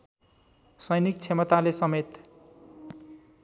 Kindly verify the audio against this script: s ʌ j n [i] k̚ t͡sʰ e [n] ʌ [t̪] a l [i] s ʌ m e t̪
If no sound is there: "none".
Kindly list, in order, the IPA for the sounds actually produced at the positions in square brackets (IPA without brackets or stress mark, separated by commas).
i, m, t̪, e